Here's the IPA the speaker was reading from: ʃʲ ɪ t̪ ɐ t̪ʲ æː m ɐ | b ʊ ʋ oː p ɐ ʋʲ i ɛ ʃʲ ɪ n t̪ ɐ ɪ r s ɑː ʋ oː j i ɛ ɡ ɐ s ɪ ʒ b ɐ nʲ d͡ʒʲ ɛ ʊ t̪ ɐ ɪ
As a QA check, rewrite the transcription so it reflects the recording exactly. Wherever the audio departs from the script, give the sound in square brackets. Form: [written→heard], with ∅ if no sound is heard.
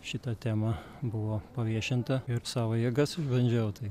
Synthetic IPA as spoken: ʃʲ ɪ t̪ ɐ t̪ʲ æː m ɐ | b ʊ ʋ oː p ɐ ʋʲ i ɛ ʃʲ ɪ n t̪ ɐ ɪ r s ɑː ʋ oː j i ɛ ɡ ɐ s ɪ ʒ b ɐ nʲ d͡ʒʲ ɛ ʊ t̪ ɐ ɪ

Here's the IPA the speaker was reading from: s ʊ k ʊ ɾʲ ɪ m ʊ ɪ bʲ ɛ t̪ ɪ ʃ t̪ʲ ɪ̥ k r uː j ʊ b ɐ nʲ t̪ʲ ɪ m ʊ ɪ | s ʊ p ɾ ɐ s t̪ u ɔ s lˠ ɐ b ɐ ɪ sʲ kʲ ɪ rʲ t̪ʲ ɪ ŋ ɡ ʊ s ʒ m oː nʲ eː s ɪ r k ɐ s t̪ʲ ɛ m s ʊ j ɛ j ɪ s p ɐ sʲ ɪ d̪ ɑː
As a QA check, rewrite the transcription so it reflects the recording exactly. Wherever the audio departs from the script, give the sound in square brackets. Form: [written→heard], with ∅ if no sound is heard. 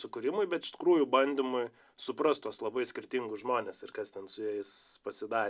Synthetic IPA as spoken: s ʊ k ʊ ɾʲ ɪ m ʊ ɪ bʲ ɛ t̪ ɪ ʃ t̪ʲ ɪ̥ k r uː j ʊ b ɐ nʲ [t̪ʲ→d̪ʲ] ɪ m ʊ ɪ | s ʊ p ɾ ɐ s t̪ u ɔ s lˠ ɐ b ɐ ɪ sʲ kʲ ɪ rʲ t̪ʲ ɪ ŋ ɡ ʊ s ʒ m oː nʲ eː s ɪ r k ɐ s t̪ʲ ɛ [m→n] s ʊ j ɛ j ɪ s p ɐ sʲ ɪ d̪ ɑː

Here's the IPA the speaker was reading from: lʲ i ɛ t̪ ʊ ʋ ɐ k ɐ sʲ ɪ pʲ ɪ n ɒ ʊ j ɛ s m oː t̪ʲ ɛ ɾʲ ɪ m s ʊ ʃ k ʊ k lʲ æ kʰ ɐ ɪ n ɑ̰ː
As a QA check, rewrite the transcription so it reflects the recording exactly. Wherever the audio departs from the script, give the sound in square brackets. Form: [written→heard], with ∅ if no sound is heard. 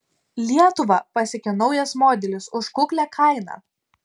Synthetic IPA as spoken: lʲ i ɛ t̪ ʊ ʋ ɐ [k→p] ɐ sʲ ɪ [pʲ→kʲ] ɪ n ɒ ʊ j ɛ s m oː [t̪ʲ→d̪ʲ] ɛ [ɾʲ→lʲ] ɪ [m→∅] s ʊ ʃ k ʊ k lʲ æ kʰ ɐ ɪ n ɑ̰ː

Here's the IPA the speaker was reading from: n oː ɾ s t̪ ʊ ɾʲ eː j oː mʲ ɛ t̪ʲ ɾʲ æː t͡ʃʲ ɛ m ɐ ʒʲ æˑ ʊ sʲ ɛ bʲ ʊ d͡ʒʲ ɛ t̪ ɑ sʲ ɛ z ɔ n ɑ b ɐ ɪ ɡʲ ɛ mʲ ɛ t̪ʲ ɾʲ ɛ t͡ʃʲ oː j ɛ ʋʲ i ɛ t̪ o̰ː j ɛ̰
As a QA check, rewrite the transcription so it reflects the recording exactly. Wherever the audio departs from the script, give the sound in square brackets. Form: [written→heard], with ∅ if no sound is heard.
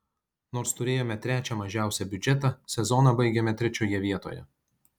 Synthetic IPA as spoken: n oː ɾ s t̪ ʊ ɾʲ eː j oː mʲ ɛ t̪ʲ ɾʲ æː t͡ʃʲ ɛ m ɐ ʒʲ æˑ ʊ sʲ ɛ bʲ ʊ d͡ʒʲ ɛ t̪ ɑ sʲ ɛ z ɔ n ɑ b ɐ ɪ ɡʲ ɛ mʲ ɛ t̪ʲ ɾʲ ɛ t͡ʃʲ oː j ɛ ʋʲ i ɛ t̪ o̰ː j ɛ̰

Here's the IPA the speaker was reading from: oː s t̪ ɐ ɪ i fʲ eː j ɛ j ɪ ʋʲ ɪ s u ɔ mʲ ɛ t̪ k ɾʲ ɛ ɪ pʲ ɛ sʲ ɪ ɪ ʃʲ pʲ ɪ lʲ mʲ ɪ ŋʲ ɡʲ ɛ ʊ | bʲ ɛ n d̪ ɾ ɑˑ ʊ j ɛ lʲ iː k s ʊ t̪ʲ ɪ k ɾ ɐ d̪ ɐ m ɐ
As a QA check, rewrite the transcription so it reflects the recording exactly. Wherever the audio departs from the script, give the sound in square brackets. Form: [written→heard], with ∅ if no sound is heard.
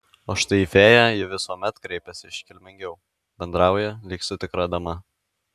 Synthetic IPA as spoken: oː [s→ʃ] t̪ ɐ ɪ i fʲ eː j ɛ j ɪ ʋʲ ɪ s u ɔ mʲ ɛ t̪ k ɾʲ ɛ ɪ pʲ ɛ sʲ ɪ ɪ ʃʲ [pʲ→kʲ] ɪ lʲ mʲ ɪ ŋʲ ɡʲ ɛ ʊ | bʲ ɛ n d̪ ɾ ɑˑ ʊ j ɛ lʲ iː k s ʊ t̪ʲ ɪ k ɾ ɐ d̪ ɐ m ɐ

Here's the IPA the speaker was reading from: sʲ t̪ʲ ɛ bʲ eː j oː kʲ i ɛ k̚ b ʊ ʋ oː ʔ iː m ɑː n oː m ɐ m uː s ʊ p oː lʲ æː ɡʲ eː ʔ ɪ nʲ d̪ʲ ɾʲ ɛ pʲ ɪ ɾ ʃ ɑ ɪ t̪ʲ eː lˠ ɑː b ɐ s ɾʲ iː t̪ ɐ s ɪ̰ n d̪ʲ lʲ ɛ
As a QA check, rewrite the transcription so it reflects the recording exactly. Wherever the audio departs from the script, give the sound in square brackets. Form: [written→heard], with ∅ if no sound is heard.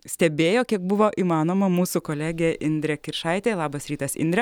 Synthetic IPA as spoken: sʲ t̪ʲ ɛ bʲ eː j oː kʲ i ɛ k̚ b ʊ ʋ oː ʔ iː m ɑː n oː m ɐ m uː s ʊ [p→k] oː lʲ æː ɡʲ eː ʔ ɪ nʲ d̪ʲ ɾʲ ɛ [pʲ→kʲ] ɪ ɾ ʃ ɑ ɪ t̪ʲ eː lˠ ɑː b ɐ s ɾʲ iː t̪ ɐ s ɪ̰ n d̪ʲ [lʲ→ɾʲ] ɛ

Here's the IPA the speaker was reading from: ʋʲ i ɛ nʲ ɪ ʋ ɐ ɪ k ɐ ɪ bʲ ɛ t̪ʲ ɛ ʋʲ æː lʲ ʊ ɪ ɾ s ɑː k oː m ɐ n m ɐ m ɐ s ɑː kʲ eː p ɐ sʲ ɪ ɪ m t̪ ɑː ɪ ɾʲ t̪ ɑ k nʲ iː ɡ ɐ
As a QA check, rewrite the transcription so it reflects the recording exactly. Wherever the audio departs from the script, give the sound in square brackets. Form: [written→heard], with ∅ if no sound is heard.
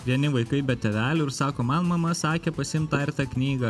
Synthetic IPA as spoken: ʋʲ i ɛ nʲ ɪ ʋ ɐ ɪ k ɐ ɪ bʲ ɛ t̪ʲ ɛ ʋʲ æː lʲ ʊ ɪ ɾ s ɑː k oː m ɐ n m ɐ m ɐ s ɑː kʲ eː p ɐ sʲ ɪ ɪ m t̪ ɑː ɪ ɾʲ t̪ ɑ k nʲ iː ɡ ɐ

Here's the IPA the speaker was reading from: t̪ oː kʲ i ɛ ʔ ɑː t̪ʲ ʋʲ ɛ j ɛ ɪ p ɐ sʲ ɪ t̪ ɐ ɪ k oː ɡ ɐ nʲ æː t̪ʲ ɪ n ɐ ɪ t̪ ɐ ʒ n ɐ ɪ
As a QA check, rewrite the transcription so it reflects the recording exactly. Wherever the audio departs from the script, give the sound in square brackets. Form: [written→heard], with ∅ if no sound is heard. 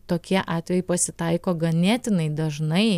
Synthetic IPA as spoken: t̪ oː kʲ i ɛ ʔ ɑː t̪ʲ ʋʲ ɛ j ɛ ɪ p ɐ sʲ ɪ t̪ ɐ ɪ k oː ɡ ɐ nʲ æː t̪ʲ ɪ n ɐ ɪ [t̪→d̪] ɐ ʒ n ɐ ɪ

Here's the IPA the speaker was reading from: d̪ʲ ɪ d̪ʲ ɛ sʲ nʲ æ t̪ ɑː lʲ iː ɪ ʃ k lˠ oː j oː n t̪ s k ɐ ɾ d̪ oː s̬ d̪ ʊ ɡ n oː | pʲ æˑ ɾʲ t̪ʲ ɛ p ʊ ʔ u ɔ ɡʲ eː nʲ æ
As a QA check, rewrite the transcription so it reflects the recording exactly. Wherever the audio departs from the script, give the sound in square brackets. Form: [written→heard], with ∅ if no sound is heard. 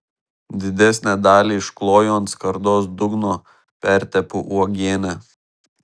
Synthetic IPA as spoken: d̪ʲ ɪ d̪ʲ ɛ sʲ nʲ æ [t̪→d̪] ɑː lʲ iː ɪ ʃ k lˠ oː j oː n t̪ s k ɐ ɾ d̪ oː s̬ d̪ ʊ ɡ n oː | pʲ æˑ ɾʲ t̪ʲ ɛ p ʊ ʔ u ɔ ɡʲ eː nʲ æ

